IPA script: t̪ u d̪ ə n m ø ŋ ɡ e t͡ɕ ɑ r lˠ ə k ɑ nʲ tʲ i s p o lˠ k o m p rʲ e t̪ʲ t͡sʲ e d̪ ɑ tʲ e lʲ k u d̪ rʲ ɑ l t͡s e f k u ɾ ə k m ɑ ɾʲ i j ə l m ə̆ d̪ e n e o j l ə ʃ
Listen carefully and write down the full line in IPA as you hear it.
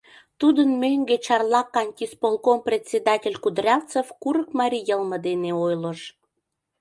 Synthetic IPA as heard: t̪ u d̪ ə n m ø ŋ ɡ e t͡ɕ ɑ r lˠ ɑ k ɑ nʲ tʲ i s p o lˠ k o m p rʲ e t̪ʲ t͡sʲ e d̪ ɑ tʲ e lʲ k u d̪ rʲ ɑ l t͡s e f k u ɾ ə k m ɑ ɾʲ i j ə l m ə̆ d̪ e n e o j l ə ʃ